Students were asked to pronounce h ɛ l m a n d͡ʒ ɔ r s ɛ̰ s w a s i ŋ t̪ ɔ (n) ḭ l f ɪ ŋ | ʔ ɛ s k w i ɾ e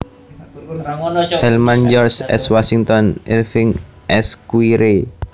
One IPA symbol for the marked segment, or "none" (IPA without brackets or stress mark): n